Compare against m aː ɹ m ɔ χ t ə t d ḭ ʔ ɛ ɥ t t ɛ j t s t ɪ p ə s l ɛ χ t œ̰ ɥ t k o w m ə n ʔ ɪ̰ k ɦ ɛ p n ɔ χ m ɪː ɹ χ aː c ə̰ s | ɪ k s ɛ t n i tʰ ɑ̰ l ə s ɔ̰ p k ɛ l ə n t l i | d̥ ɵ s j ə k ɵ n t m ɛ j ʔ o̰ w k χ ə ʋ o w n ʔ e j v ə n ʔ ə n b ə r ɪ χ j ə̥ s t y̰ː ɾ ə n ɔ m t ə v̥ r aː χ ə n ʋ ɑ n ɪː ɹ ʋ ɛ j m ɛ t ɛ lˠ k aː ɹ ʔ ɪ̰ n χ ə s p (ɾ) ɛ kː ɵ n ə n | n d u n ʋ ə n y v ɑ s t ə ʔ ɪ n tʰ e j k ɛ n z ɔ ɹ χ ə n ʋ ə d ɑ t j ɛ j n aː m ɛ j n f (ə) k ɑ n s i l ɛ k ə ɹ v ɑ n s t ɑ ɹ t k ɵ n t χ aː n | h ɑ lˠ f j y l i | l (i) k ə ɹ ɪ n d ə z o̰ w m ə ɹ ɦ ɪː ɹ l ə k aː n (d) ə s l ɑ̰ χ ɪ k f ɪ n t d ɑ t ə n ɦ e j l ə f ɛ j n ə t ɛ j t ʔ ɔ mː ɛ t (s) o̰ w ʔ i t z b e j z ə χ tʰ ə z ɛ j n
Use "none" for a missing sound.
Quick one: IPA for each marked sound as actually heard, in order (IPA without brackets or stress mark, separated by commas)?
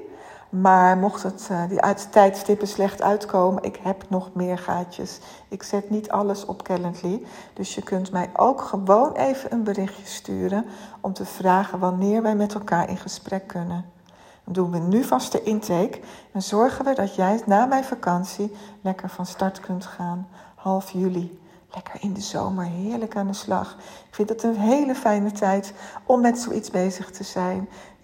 r, a, ɛ, d, s